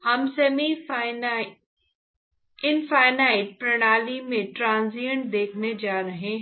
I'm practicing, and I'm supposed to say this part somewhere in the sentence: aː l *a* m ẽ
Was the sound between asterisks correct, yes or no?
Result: no